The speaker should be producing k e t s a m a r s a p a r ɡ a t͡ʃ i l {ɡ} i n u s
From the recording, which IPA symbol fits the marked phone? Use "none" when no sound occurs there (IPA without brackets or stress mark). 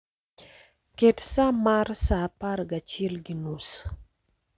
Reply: ɡ